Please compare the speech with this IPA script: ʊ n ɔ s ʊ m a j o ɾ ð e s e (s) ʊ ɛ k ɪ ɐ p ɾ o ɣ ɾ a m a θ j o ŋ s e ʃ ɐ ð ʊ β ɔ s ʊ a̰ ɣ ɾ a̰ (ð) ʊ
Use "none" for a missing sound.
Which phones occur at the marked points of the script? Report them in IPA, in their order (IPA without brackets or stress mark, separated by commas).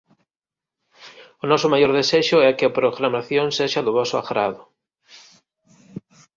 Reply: ʃ, ð